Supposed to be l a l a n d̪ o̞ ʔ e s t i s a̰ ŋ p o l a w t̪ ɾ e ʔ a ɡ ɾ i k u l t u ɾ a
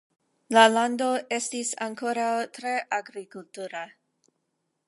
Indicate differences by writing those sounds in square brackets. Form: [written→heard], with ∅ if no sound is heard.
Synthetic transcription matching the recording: l a l a n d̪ o̞ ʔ e s t i s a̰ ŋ [p→k] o [l→ɾ] a w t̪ ɾ e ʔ a ɡ ɾ i k u l t u ɾ a